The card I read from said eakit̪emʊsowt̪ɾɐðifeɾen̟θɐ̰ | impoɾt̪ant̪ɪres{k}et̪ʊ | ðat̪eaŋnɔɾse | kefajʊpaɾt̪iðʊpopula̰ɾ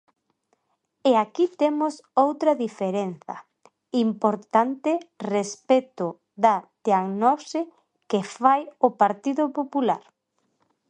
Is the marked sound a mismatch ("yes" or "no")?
yes